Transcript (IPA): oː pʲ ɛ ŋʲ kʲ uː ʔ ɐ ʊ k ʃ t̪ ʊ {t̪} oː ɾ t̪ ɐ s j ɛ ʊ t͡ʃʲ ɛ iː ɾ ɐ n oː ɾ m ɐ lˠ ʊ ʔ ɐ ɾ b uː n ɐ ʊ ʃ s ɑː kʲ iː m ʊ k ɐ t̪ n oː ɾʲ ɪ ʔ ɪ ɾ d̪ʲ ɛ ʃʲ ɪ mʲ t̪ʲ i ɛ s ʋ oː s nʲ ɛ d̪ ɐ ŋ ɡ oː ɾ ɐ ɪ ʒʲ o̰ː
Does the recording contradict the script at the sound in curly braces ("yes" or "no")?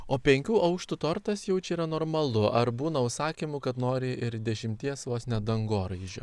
no